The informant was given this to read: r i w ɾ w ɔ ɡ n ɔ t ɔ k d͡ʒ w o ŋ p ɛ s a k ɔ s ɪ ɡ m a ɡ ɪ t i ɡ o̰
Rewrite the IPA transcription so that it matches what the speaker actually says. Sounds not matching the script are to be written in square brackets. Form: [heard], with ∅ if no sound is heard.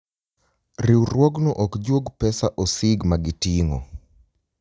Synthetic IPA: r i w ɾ w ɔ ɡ n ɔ [ʔ] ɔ k d͡ʒ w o [ɡ] p ɛ s a [ʔ] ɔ s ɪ ɡ m a ɡ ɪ t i [ŋ] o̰